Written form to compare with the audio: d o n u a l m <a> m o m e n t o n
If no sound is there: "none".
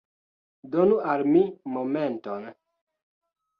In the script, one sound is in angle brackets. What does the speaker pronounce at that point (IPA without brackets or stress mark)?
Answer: i